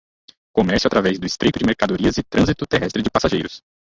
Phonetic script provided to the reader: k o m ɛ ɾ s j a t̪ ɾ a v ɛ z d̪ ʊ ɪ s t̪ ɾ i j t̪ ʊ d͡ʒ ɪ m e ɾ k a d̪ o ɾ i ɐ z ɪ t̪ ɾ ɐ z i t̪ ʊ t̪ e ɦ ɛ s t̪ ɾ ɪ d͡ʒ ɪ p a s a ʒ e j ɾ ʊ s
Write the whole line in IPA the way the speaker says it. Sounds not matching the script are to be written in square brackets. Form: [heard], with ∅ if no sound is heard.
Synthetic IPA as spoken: k o m ɛ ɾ s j a t̪ ɾ a v ɛ z d̪ ʊ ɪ s t̪ ɾ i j t̪ ʊ d͡ʒ ɪ m e ɾ k a d̪ o ɾ i ɐ z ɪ t̪ ɾ [ɐ̃] z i t̪ ʊ t̪ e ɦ ɛ s t̪ ɾ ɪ d͡ʒ ɪ p a s a ʒ e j ɾ ʊ s